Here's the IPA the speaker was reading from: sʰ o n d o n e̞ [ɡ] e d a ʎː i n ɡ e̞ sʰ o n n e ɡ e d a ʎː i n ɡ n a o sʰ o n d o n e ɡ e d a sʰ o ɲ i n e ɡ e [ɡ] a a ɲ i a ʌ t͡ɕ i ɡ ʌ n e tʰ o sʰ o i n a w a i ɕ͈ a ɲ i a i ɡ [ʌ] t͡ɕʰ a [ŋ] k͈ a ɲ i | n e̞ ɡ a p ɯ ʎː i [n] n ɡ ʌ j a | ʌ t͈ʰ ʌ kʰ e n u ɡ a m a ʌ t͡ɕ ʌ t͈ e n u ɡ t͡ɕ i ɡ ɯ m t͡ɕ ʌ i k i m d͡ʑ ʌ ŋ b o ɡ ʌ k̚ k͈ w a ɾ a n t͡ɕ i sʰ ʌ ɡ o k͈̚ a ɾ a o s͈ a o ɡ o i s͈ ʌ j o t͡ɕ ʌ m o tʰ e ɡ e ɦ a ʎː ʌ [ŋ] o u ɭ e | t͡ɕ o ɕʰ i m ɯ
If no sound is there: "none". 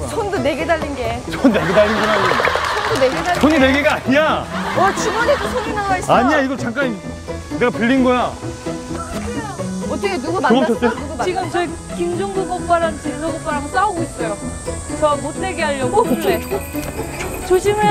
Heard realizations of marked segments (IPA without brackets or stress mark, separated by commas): ɡ, ɡ, ʌ, ŋ, n, ɡ